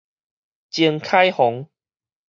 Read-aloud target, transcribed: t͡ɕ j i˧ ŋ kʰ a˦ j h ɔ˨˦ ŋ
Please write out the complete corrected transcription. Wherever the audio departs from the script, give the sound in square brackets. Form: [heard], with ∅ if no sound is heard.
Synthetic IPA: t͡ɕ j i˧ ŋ kʰ a˦ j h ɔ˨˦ ŋ